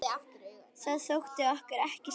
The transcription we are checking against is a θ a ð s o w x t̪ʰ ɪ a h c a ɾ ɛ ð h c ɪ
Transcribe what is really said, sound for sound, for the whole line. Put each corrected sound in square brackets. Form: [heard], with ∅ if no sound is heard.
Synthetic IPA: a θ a ð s o w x [t̪] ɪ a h [k] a ɾ ɛ [∅] h c ɪ